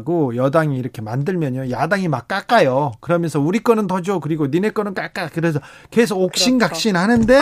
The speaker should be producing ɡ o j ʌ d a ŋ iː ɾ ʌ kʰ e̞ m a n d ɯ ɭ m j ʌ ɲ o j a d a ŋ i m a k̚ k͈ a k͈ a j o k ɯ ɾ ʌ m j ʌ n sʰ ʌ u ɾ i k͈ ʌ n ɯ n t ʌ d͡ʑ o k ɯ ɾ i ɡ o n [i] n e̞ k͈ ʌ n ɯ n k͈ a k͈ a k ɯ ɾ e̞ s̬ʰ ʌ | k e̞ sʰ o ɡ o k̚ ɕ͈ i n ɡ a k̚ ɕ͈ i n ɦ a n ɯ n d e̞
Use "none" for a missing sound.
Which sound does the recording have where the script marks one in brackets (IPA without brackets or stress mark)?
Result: i